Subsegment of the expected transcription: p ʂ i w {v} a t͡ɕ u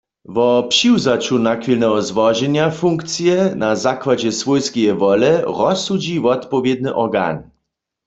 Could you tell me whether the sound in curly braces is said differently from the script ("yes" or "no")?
yes